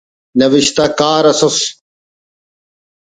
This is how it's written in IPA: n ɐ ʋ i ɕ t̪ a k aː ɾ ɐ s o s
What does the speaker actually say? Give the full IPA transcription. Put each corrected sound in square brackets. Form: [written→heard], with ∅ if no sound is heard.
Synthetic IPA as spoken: n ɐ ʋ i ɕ t̪ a k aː ɾ ɐ s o s